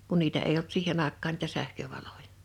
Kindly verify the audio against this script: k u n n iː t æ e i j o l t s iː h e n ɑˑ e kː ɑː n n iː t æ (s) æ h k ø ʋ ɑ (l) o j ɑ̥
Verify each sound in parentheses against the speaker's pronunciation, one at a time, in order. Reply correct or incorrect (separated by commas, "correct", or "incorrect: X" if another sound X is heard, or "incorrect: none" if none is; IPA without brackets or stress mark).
correct, correct